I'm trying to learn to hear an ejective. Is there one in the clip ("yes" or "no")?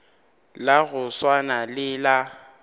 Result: no